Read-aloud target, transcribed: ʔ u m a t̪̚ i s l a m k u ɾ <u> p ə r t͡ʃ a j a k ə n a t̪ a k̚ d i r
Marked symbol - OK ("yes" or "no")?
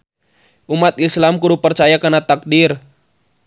yes